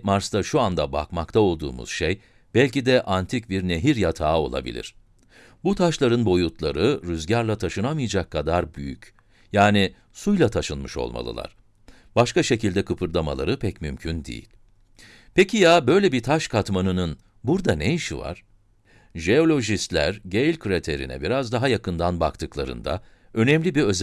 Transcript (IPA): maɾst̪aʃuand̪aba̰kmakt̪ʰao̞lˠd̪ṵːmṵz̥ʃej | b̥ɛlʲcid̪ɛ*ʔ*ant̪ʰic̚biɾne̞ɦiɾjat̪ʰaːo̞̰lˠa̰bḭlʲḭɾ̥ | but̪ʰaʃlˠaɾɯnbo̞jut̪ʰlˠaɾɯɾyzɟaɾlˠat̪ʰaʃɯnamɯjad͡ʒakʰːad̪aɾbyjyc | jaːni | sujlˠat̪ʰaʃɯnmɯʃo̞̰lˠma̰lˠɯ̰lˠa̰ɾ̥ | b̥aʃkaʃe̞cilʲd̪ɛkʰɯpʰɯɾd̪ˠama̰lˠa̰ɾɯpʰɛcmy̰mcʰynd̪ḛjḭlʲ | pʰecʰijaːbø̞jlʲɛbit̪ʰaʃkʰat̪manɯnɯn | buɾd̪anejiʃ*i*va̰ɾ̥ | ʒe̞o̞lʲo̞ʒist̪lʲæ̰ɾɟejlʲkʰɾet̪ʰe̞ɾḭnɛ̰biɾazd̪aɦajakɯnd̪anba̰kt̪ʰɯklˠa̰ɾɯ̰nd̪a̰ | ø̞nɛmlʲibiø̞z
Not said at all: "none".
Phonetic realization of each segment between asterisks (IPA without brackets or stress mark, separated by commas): ʔ, i